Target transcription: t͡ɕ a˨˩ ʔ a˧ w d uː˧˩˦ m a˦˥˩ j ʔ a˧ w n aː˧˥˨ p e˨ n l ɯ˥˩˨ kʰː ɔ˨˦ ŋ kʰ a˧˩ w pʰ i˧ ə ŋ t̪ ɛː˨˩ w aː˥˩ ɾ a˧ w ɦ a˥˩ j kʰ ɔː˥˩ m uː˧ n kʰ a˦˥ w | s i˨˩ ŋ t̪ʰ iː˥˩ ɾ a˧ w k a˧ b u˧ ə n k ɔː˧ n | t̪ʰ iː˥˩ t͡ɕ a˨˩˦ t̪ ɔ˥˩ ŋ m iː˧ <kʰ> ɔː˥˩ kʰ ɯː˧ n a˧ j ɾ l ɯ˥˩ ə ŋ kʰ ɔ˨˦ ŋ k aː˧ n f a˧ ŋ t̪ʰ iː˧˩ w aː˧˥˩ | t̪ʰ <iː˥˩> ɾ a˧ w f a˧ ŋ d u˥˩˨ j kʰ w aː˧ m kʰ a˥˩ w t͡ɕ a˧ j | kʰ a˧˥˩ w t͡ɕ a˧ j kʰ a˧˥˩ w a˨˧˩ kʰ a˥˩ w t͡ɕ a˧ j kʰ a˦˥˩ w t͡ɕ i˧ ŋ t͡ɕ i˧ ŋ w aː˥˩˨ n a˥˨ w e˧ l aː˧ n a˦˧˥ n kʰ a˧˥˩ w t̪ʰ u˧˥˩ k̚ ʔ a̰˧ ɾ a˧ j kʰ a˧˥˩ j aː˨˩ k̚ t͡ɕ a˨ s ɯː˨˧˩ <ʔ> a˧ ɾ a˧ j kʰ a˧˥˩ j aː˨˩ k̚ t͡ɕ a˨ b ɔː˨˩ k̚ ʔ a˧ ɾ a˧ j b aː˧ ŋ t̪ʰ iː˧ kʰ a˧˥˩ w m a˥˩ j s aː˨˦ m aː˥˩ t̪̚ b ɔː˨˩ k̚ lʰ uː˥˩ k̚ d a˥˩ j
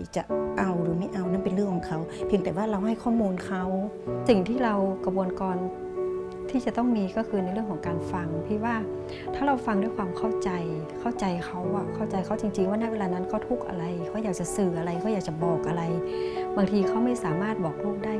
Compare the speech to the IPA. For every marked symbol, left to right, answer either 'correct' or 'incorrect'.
incorrect: k, incorrect: aː˥˩, correct

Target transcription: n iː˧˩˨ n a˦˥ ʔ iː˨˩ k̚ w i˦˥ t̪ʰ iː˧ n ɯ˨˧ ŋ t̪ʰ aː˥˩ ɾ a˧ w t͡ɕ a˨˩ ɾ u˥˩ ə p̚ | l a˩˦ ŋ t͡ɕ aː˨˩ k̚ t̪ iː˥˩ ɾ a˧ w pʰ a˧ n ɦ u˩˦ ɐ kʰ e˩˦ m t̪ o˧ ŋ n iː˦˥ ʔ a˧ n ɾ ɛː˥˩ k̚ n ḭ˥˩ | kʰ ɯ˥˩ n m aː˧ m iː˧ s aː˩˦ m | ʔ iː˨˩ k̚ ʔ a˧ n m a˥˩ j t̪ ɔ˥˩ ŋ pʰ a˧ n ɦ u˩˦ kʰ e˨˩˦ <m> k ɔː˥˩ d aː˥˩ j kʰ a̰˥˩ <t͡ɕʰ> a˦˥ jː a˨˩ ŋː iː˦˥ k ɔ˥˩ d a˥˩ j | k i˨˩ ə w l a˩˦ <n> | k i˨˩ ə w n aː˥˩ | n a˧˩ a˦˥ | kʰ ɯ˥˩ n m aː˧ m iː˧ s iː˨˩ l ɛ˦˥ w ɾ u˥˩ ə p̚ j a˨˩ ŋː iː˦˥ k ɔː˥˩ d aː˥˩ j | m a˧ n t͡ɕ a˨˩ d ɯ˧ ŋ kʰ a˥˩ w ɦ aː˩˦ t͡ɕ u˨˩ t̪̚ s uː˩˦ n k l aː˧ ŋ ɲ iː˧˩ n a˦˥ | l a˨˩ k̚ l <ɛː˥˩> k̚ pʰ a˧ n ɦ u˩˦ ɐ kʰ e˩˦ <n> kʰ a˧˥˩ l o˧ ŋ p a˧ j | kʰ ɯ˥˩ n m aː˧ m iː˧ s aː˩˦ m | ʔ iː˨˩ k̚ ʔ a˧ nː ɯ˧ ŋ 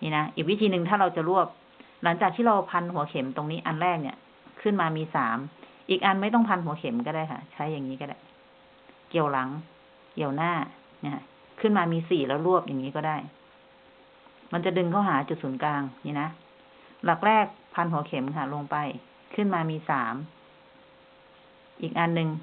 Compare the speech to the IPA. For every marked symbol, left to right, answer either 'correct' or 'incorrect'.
correct, correct, incorrect: ŋ, correct, incorrect: m

